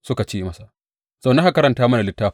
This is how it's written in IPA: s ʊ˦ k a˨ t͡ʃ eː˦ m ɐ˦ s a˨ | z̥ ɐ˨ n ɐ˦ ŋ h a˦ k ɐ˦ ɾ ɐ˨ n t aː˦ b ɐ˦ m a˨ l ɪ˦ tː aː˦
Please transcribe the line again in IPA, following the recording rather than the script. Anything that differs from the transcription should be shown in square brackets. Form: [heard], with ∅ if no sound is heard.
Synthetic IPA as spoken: s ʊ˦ k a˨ t͡ʃ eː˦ m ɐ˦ s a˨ | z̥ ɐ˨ n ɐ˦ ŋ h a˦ k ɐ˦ ɾ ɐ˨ n t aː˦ [m] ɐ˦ [n] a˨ l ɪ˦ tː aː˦